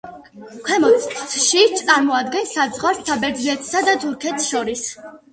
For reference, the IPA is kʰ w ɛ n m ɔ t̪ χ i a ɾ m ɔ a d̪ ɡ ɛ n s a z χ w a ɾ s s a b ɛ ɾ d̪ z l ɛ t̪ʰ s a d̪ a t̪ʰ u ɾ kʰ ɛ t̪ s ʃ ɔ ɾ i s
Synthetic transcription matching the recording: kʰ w ɛ m ɔ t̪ ʃ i a ɾ m ɔ a d̪ ɡ ɛ n s a z ʁ w a ɾ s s a b ɛ ɾ d̪ z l ɛ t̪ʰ s a d̪ a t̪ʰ u ɾ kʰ ɛ t̪ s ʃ ɔ ɾ i s